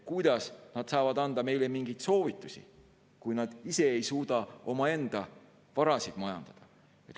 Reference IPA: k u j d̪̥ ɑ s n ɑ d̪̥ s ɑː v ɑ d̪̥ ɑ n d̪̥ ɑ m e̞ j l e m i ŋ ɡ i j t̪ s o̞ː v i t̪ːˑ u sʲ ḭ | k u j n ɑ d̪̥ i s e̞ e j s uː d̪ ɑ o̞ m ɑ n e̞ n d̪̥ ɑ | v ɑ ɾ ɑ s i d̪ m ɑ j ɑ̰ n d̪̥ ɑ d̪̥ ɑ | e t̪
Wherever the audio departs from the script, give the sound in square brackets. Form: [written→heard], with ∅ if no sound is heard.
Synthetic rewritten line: k u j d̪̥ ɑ s n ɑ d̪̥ s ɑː v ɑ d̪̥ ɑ n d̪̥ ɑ m e̞ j l e m i ŋ ɡ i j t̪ s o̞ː v i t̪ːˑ u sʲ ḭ | k u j n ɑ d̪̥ i s e̞ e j s uː d̪ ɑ o̞ m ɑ [n→∅] e̞ n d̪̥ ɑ | v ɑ ɾ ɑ s i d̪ m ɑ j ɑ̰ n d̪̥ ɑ d̪̥ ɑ | e t̪